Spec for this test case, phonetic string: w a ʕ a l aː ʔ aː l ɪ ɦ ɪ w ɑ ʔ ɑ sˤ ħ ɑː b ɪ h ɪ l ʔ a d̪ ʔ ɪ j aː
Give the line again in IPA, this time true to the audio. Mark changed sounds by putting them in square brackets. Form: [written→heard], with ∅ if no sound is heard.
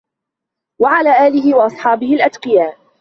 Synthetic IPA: w a ʕ a l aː ʔ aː l ɪ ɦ ɪ w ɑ ʔ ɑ sˤ ħ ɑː b ɪ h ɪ l ʔ a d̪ [ʔ→q] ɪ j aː